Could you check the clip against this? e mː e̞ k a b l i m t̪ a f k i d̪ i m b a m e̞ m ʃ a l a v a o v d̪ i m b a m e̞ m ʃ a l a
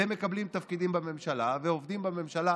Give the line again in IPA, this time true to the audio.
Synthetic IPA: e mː e̞ k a b l i m t̪ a f k i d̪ i m b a m e̞ m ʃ a l a v e o v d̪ i m b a m e̞ m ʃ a l a